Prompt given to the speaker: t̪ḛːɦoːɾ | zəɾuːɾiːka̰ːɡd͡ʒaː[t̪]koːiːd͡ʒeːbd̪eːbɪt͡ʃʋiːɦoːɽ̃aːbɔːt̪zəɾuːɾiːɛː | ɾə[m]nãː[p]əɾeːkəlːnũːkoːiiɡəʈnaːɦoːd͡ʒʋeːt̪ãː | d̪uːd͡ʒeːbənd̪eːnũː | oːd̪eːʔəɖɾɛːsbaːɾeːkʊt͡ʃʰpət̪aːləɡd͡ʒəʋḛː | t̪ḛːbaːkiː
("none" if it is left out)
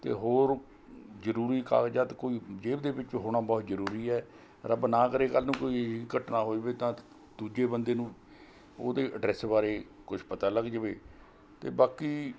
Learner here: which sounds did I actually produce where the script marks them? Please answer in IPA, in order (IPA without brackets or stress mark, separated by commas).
t̪, b, k